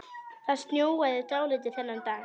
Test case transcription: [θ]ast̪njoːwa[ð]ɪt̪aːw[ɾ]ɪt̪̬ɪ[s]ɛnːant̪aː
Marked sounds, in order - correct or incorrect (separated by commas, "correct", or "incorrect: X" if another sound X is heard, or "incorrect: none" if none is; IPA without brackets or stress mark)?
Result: correct, correct, incorrect: l, incorrect: θ